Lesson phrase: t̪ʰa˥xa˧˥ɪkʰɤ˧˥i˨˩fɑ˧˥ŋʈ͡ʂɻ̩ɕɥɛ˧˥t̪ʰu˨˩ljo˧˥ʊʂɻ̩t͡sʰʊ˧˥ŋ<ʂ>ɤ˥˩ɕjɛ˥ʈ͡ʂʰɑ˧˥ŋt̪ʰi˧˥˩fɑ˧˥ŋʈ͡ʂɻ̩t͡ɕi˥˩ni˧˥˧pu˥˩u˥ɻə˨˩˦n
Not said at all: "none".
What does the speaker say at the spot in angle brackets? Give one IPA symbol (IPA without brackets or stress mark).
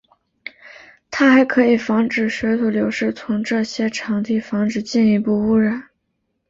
ʈ͡ʂ